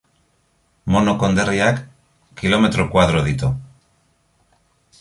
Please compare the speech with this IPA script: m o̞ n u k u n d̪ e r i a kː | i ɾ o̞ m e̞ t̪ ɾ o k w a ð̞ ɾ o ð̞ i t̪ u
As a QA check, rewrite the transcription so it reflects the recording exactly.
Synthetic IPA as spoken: m o̞ n o k o n d̪ e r i a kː | i l o̞ m e̞ t̪ ɾ o k w a ð̞ ɾ o ð̞ i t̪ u